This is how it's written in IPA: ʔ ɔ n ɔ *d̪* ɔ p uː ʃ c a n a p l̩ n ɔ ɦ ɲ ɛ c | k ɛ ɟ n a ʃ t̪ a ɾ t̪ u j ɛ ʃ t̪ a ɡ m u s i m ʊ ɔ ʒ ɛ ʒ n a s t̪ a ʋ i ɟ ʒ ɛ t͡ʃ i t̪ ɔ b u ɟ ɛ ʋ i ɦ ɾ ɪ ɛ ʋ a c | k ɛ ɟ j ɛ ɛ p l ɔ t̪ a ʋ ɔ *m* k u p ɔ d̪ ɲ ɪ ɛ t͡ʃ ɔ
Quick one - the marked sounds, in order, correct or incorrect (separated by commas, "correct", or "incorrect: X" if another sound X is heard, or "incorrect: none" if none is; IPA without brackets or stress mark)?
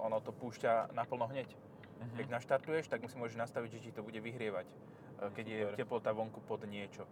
incorrect: t̪, incorrect: ŋ